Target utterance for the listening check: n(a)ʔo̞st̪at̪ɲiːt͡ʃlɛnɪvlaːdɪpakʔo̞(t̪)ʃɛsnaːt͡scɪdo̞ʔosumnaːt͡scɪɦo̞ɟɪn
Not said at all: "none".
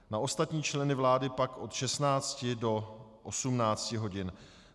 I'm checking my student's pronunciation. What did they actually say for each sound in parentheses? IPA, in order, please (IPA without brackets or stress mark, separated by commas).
a, t̪